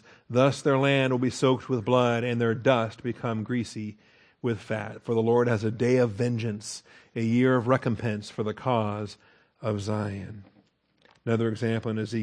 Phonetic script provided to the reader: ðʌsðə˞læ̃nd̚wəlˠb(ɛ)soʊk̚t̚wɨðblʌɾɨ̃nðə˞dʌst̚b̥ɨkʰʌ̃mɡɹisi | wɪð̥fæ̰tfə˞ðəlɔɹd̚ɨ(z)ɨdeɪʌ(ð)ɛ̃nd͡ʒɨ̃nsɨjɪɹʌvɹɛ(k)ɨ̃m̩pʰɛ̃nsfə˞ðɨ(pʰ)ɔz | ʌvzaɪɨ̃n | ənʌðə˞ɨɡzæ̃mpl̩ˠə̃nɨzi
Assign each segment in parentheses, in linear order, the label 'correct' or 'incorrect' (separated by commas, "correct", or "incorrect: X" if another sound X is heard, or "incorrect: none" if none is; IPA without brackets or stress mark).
incorrect: i, correct, incorrect: v, correct, incorrect: kʰ